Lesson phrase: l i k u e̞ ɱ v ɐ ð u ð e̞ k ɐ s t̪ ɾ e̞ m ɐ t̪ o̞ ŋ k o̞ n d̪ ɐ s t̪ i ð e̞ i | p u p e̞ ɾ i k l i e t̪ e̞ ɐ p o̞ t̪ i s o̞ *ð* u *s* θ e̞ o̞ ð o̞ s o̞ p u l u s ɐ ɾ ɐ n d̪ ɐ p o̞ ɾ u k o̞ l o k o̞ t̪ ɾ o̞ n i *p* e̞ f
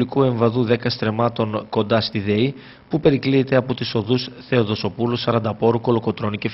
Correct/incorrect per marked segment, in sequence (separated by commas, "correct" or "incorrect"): correct, correct, incorrect